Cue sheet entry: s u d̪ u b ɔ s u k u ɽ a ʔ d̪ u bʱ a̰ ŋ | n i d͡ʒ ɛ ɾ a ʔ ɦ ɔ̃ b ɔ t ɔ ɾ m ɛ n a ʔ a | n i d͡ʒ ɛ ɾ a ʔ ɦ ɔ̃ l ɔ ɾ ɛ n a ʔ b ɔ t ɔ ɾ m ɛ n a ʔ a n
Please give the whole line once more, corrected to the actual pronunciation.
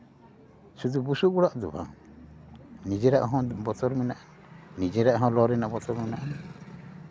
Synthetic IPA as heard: s u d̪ u b u s u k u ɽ a ʔ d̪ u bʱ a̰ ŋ | n i d͡ʒ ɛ ɾ a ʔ ɦ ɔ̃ b ɔ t ɔ ɾ m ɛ n a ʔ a | n i d͡ʒ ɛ ɾ a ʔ ɦ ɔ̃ l ɔ ɾ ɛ n a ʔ b ɔ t ɔ ɾ m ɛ n a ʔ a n